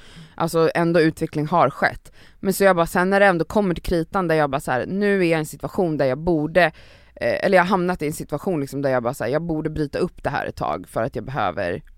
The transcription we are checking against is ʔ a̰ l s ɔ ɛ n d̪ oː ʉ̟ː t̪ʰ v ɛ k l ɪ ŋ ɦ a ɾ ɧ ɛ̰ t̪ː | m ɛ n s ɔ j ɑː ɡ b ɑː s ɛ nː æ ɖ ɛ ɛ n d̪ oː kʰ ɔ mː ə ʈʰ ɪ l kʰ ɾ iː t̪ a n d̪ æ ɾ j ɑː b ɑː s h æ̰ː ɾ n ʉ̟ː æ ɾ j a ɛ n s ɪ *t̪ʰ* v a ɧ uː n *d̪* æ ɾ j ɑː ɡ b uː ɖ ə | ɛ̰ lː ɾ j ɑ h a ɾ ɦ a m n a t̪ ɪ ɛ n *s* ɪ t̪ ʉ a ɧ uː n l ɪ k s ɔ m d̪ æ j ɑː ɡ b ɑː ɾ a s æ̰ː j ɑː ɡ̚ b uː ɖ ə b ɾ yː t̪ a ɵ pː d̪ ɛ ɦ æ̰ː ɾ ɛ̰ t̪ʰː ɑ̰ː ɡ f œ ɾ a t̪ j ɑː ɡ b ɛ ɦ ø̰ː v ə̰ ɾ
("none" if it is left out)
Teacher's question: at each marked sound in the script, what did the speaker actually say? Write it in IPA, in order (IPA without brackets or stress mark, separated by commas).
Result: t̪, d̪, s